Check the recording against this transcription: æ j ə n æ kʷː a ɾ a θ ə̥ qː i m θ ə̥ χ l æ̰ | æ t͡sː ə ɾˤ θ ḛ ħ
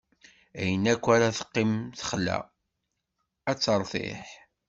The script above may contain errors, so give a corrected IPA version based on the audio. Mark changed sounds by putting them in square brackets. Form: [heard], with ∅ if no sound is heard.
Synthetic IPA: æ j ə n æ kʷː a ɾ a θ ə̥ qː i m θ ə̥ χ l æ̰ | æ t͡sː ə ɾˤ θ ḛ ħ